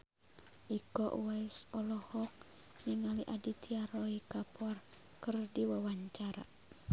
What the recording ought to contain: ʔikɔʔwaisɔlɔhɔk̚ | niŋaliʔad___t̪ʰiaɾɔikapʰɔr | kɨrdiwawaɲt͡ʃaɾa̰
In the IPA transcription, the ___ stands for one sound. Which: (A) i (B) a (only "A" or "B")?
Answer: A